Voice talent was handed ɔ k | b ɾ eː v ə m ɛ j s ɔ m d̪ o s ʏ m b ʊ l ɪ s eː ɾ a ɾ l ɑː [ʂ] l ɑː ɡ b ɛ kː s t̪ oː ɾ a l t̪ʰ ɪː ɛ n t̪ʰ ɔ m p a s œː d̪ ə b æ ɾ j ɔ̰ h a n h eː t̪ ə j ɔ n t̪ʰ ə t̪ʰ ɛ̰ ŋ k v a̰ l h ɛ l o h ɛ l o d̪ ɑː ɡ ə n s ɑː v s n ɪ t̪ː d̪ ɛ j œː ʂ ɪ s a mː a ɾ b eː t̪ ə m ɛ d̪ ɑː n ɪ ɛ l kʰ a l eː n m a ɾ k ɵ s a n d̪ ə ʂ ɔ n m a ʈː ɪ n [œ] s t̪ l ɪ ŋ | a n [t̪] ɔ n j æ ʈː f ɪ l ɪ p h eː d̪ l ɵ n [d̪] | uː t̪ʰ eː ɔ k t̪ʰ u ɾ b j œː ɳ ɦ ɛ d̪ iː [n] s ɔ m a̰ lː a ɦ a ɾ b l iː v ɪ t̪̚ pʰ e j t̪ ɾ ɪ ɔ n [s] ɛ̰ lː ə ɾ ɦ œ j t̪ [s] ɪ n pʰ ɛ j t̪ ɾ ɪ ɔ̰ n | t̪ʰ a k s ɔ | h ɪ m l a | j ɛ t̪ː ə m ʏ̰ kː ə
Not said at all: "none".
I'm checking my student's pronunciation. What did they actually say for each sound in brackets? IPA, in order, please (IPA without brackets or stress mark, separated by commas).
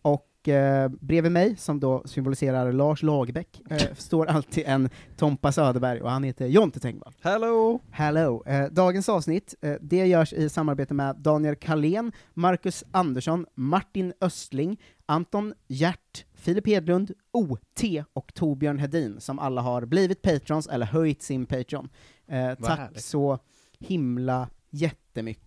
ʂ, œ, t̪, d̪, n, s, s